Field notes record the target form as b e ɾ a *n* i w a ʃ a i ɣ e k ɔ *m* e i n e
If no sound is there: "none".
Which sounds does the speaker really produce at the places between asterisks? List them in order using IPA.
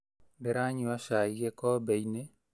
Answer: ɲ, b

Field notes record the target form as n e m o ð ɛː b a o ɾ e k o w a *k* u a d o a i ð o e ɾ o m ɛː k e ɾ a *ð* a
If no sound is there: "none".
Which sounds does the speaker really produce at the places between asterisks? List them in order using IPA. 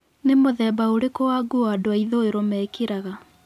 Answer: ɡ, ɣ

